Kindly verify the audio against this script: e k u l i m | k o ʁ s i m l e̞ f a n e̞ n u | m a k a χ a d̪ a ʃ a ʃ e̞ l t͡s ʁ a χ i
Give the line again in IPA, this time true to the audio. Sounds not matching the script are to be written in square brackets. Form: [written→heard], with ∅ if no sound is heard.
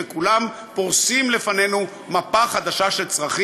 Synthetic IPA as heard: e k u l [i→a] m | [k→p] o ʁ s i m l e̞ f a n e̞ n u | m a [k→p] a χ a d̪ a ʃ a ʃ e̞ l t͡s ʁ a χ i